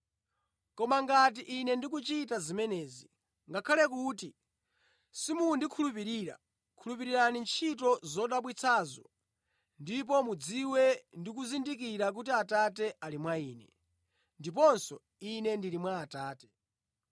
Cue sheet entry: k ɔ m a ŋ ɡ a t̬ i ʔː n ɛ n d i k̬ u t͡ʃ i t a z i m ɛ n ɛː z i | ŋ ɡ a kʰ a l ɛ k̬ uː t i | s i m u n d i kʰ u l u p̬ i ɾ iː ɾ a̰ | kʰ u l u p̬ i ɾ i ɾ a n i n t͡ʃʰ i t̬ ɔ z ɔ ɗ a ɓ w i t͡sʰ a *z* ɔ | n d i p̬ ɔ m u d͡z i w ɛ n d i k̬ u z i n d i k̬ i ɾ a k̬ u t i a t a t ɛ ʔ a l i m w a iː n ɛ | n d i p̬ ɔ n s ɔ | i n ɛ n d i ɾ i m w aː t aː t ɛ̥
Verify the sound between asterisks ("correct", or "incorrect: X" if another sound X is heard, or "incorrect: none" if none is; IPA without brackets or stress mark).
correct